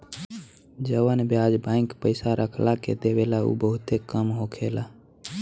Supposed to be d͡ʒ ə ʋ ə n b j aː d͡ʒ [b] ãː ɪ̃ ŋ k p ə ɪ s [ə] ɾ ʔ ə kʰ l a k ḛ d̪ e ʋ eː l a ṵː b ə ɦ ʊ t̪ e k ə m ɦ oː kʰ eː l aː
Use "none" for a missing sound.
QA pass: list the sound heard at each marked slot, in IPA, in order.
b, a

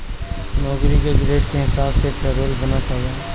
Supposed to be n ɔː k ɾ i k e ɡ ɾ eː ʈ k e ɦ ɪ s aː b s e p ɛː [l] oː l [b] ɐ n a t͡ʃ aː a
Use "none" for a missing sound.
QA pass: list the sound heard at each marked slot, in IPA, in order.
ɾ, b

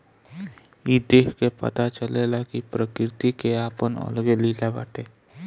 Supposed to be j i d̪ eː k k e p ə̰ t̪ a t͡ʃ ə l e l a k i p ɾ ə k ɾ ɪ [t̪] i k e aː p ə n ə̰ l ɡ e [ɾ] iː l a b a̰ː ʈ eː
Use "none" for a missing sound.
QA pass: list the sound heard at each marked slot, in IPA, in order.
t̪, l

